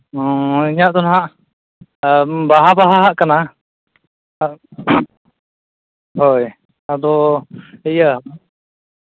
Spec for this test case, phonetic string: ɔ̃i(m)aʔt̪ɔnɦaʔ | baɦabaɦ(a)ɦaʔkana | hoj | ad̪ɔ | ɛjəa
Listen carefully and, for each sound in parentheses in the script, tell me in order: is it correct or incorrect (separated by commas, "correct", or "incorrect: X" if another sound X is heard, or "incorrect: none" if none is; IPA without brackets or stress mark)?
incorrect: ɲ, correct